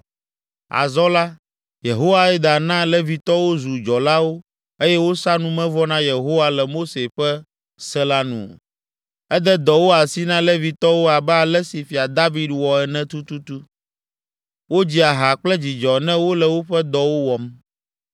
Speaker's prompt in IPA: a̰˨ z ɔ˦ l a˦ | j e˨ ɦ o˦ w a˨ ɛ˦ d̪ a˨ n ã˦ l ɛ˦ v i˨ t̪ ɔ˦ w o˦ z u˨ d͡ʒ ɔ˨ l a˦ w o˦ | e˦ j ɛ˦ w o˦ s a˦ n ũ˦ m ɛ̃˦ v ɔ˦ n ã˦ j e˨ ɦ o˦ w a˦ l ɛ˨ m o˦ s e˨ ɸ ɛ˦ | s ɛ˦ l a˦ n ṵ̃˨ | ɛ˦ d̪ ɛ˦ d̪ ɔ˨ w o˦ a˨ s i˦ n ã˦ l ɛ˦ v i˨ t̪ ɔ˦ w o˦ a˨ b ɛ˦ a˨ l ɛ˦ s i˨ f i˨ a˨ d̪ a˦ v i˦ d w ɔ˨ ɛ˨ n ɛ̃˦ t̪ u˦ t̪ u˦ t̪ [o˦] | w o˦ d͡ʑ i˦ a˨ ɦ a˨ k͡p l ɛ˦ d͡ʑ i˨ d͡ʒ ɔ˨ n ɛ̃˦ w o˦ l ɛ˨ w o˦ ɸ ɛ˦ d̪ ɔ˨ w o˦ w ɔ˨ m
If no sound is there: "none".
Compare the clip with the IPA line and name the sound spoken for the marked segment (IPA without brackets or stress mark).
u˦